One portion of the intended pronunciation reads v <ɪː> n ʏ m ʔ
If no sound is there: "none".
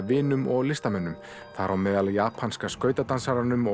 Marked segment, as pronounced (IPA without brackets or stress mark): ɪː